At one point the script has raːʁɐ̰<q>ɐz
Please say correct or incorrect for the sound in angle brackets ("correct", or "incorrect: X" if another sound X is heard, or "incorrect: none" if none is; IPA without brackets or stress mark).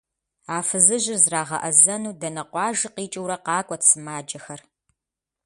incorrect: ʔ